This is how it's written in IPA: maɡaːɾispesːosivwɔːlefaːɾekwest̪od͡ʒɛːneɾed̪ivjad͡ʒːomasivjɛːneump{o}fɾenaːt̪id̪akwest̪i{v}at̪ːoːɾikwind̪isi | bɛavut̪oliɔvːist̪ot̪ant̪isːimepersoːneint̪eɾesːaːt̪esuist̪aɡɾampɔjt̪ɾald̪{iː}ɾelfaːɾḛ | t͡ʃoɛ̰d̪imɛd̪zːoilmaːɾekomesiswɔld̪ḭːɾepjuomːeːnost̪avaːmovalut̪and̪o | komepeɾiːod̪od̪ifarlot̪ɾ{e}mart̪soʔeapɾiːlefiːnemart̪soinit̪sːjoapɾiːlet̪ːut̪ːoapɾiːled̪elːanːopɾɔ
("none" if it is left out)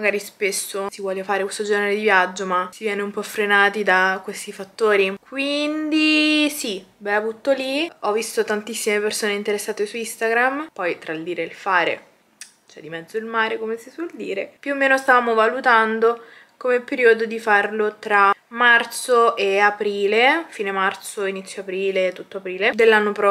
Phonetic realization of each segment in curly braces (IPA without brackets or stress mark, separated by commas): ɔ, f, iː, a